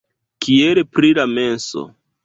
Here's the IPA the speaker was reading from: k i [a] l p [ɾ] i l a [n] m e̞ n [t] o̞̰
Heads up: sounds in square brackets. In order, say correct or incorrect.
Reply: incorrect, correct, incorrect, incorrect

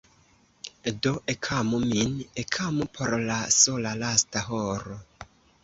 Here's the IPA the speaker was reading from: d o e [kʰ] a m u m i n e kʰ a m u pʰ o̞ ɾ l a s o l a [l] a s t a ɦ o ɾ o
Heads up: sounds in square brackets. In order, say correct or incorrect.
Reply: correct, correct

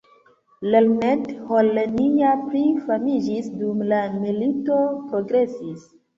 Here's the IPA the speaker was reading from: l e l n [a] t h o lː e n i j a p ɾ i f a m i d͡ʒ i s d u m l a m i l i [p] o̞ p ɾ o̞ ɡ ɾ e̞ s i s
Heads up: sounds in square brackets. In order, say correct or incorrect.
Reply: incorrect, incorrect

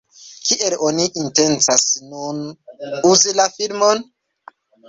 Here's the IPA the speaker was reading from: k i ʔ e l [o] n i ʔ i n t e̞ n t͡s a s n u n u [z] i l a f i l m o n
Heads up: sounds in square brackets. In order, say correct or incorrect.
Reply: correct, correct

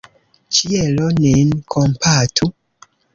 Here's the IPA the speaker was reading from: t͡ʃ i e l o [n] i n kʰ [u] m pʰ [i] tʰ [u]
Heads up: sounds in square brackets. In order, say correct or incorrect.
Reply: correct, incorrect, incorrect, correct

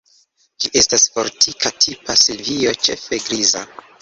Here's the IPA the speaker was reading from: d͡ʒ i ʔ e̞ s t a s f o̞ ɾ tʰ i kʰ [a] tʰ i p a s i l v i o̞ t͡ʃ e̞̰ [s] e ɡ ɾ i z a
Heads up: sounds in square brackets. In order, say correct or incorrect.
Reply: correct, incorrect

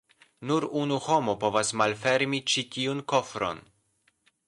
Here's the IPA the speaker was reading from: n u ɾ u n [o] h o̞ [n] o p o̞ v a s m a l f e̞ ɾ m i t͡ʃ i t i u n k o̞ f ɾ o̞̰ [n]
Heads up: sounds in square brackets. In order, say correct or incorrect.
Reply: incorrect, incorrect, correct

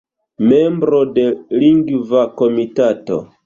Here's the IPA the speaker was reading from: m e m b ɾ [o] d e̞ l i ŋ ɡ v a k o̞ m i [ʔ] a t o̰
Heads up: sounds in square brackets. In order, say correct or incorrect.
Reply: correct, incorrect

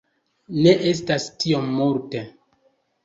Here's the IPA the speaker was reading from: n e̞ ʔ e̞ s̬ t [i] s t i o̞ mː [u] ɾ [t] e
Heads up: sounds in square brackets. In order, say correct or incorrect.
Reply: incorrect, correct, correct

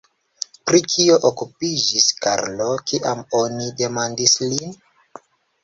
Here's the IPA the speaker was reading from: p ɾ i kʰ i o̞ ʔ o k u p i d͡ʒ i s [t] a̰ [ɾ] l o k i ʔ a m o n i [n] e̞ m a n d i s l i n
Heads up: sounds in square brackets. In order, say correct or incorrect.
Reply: incorrect, correct, incorrect

